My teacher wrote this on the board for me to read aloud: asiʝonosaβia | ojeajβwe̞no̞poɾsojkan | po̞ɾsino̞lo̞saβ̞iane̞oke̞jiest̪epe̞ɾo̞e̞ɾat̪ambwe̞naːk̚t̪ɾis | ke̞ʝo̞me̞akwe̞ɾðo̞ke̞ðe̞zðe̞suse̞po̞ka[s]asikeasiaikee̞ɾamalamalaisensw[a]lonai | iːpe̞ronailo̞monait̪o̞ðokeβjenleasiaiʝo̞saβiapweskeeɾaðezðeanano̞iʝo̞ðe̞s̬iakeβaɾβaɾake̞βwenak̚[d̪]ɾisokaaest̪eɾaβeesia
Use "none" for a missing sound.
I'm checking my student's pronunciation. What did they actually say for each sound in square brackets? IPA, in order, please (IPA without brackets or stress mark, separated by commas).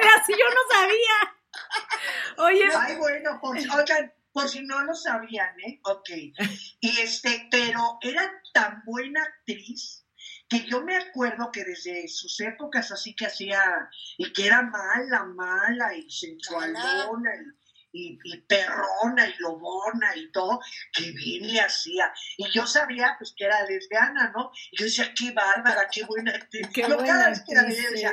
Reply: s, a, t̪